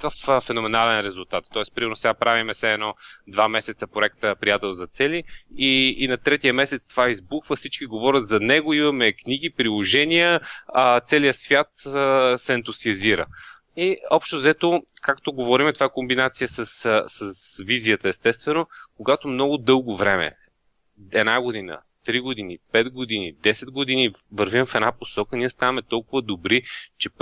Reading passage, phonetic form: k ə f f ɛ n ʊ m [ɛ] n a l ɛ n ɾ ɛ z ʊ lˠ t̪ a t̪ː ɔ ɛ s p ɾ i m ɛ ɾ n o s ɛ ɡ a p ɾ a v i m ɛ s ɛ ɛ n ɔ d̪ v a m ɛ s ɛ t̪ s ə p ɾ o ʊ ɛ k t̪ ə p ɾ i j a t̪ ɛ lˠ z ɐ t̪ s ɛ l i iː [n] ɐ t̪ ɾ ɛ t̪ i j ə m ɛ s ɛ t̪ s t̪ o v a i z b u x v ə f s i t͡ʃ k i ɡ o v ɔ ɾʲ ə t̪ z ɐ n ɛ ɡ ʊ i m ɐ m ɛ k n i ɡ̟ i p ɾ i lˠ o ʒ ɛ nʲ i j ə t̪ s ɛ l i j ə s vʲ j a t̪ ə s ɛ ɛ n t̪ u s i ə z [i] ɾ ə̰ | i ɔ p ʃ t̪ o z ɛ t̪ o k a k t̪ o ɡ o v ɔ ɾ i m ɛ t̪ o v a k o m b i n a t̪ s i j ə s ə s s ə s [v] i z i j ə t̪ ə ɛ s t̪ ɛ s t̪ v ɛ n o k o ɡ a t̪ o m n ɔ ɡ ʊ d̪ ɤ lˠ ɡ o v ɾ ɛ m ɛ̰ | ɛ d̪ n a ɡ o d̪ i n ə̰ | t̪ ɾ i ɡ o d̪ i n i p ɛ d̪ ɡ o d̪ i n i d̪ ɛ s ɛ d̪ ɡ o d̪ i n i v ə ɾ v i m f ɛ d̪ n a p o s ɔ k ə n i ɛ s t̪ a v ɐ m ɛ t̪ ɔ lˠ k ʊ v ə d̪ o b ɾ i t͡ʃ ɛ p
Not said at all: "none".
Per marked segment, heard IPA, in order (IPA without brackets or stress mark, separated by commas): ɛ, n, i, v